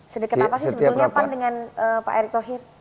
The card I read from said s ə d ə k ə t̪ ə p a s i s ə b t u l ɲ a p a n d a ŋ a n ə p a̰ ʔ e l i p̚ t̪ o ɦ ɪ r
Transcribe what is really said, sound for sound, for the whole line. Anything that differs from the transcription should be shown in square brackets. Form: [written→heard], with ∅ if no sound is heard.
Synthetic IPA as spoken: s ə d ə k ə t̪ [ə→a] p a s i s ə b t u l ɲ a p a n d [a→ə] ŋ a n ə p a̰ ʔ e [l→ɾ] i [p̚→k̚] t̪ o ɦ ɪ r